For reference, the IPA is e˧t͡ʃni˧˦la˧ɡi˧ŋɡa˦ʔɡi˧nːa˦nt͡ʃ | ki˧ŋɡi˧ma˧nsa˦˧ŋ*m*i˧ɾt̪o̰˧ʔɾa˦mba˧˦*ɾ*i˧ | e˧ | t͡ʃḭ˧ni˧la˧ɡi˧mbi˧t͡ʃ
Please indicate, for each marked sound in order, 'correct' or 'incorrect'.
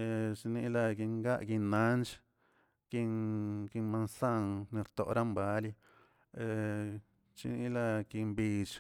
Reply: incorrect: n, incorrect: l

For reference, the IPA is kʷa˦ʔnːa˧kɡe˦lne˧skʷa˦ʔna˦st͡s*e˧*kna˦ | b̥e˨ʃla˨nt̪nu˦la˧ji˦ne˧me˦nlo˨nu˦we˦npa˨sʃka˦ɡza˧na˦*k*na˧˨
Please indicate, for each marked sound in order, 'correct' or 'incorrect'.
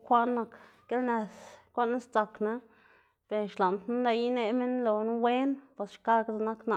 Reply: incorrect: a˧, correct

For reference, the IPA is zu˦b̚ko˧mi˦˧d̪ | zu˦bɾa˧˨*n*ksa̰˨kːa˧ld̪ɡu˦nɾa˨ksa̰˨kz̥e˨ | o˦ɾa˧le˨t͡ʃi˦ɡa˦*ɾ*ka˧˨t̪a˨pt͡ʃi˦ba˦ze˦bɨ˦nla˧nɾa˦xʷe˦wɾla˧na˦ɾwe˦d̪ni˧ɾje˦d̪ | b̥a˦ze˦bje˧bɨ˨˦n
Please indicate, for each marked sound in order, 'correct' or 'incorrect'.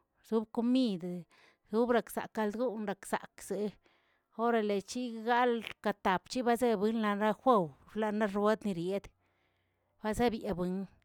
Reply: incorrect: none, incorrect: l

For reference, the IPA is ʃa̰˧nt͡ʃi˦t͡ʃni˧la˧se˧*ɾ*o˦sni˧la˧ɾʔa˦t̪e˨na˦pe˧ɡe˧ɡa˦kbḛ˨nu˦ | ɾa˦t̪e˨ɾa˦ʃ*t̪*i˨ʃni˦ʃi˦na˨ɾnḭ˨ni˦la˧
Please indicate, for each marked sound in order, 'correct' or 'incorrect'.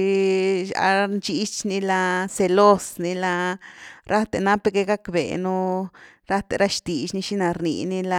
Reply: incorrect: l, correct

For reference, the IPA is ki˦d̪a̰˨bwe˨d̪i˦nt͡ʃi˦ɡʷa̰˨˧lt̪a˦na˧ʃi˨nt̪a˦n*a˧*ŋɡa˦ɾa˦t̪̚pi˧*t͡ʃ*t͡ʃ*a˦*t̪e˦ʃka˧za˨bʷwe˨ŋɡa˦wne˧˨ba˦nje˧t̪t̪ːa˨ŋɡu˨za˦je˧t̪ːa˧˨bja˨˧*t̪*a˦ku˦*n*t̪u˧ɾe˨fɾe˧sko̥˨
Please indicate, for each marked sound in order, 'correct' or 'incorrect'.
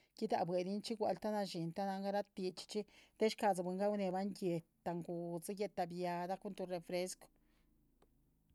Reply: correct, correct, incorrect: i˦, incorrect: d̪, correct

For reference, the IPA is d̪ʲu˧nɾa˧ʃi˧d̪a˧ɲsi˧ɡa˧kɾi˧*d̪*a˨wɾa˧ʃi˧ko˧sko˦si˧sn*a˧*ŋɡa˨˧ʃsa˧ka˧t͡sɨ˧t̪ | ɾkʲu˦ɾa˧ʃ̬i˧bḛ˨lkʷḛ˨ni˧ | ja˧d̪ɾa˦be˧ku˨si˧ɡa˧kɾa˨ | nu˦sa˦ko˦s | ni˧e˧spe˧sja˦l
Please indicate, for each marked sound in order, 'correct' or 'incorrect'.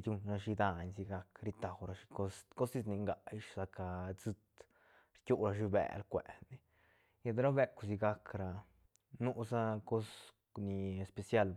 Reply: incorrect: t̪, incorrect: i˧

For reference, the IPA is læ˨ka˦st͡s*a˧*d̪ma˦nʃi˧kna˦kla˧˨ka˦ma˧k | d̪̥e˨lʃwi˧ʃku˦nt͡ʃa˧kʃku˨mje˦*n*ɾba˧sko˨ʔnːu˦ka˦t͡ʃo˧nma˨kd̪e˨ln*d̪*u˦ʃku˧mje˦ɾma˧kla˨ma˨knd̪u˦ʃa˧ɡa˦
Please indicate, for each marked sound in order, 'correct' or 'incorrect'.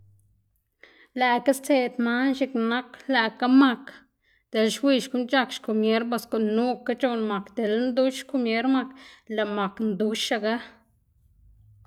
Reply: incorrect: e˧, incorrect: none, correct

